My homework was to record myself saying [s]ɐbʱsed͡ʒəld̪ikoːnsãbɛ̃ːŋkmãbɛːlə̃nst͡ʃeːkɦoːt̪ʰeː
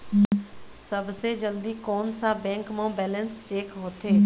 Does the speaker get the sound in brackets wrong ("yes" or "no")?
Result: no